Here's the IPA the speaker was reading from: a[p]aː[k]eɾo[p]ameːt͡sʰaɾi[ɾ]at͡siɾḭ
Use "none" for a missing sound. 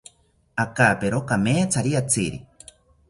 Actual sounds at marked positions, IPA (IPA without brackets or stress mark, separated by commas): k, p, k, none